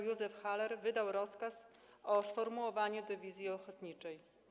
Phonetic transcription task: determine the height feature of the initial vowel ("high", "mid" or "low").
high